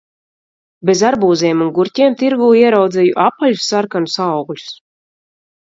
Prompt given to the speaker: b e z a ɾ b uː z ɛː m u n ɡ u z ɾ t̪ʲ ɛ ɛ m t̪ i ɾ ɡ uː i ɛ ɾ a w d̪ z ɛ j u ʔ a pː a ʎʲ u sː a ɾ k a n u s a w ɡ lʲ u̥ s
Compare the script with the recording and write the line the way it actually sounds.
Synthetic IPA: b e z a ɾ b uː z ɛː m u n ɡ u ɾ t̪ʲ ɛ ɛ m t̪ i ɾ ɡ uː i ɛ ɾ a w d̪ z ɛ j u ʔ a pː a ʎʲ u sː a ɾ k a n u s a w ɡ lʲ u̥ s